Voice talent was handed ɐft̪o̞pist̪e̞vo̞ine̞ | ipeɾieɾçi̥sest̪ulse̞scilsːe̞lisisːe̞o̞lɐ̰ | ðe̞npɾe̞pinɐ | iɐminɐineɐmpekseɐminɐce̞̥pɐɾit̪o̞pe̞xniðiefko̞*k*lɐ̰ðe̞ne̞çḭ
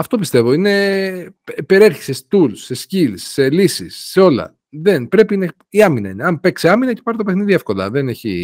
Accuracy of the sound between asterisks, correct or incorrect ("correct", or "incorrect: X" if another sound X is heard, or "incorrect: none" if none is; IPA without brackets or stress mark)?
incorrect: none